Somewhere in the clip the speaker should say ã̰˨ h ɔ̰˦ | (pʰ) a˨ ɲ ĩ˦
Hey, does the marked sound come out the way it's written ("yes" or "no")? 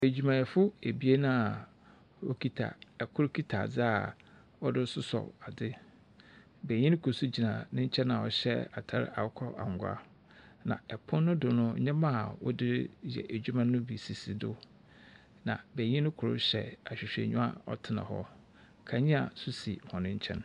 no